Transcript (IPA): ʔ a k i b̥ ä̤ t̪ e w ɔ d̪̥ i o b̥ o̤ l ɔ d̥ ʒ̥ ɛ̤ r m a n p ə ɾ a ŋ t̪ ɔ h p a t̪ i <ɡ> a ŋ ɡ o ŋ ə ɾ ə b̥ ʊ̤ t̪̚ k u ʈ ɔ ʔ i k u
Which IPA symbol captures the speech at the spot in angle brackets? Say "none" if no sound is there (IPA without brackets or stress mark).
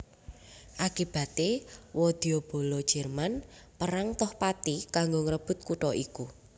k